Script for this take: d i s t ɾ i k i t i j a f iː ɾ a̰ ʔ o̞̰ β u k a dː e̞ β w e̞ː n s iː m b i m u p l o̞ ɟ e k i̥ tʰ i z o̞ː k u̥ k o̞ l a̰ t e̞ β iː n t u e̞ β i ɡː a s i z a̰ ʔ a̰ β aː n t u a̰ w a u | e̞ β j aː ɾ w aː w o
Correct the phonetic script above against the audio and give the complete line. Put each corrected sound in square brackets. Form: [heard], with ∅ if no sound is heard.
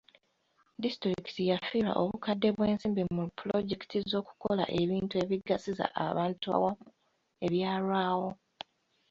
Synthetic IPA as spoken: d i s t ɾ i k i t i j a f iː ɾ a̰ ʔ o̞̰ β u k a dː e̞ β w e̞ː n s iː m b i m u p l o̞ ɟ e k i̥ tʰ i z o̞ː k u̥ k o̞ l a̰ [ʔ] e̞ β iː n t u e̞ β i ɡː a s i z a̰ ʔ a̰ β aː n t u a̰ w a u | e̞ β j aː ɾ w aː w o